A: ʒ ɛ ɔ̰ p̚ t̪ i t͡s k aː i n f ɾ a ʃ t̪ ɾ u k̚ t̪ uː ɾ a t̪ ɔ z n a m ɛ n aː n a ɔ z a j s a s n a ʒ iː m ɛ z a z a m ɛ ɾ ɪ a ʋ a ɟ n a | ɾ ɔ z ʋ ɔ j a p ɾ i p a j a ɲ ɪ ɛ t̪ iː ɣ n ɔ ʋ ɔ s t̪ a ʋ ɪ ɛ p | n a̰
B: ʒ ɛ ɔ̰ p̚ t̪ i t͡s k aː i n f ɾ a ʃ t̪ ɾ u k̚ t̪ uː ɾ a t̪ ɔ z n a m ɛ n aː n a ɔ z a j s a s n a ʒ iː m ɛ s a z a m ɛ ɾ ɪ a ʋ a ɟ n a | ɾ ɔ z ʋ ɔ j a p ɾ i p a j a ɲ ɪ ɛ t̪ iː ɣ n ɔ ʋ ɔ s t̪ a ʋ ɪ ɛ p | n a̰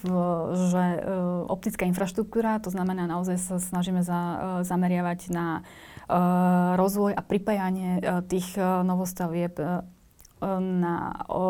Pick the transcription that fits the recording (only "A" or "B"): A